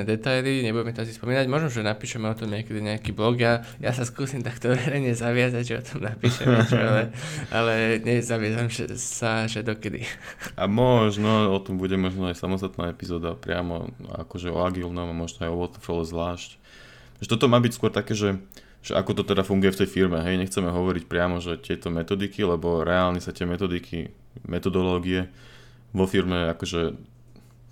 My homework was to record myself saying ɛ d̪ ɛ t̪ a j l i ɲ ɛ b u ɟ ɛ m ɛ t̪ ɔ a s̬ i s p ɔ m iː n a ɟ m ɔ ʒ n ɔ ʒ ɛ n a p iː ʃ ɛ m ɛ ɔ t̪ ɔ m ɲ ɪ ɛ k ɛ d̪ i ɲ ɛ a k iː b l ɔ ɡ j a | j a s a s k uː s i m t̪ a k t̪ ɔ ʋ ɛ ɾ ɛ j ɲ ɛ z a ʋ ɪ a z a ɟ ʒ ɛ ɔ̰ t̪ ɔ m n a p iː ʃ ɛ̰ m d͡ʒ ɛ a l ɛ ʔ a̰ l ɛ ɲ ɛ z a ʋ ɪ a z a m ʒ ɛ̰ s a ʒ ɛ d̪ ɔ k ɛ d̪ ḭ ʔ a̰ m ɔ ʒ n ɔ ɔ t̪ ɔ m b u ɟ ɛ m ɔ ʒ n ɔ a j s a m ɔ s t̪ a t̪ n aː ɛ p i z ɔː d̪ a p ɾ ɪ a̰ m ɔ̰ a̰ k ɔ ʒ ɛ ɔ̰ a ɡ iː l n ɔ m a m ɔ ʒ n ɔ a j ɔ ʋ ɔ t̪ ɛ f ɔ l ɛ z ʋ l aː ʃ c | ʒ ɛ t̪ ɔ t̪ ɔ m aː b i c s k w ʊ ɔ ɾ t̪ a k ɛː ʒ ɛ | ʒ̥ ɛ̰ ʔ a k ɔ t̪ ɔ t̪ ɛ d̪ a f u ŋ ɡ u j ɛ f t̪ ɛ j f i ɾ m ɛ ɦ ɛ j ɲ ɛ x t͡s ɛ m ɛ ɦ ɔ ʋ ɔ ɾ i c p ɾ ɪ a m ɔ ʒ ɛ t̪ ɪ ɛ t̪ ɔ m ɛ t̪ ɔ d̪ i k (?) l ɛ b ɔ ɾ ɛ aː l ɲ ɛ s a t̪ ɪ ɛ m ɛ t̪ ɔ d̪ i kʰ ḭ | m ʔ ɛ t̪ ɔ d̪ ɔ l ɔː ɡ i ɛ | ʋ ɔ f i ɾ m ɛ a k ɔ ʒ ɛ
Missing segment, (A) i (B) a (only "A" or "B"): A